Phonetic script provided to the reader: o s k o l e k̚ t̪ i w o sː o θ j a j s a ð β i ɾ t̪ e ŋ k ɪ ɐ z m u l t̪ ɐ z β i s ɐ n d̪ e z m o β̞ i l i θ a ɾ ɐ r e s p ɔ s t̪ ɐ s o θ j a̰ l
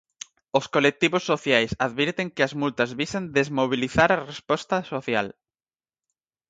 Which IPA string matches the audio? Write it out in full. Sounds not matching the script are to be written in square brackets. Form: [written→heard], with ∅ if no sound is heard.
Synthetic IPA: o s k o l e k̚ t̪ i [w→β] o sː o θ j a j s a ð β i ɾ t̪ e ŋ k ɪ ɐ z m u l t̪ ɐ z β i s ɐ n d̪ e z m o β̞ i l i θ a ɾ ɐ r e s p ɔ s t̪ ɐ s o θ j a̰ l